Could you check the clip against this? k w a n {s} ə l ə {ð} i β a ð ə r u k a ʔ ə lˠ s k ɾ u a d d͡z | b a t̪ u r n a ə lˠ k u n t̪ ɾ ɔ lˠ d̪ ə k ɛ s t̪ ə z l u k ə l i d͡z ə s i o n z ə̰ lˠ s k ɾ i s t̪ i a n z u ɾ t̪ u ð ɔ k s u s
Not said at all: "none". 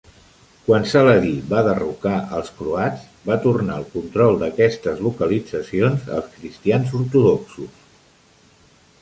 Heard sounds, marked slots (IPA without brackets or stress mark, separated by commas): s, ð